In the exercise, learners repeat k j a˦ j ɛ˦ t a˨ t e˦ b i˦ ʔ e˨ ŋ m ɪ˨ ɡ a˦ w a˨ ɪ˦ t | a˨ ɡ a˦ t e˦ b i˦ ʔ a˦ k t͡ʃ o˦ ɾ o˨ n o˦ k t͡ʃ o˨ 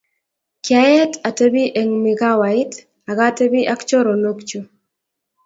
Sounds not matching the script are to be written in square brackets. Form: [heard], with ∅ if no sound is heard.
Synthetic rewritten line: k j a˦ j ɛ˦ t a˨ t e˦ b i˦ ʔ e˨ ŋ m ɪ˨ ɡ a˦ w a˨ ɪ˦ t | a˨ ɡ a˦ t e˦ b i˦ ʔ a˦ k t͡ʃ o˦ ɾ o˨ n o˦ k t͡ʃ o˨